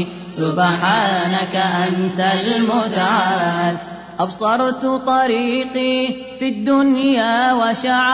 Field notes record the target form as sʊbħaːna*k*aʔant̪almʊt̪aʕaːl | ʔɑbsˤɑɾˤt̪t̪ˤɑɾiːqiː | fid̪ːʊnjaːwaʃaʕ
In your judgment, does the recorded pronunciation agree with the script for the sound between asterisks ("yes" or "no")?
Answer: yes